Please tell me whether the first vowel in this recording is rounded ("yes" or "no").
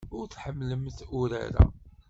yes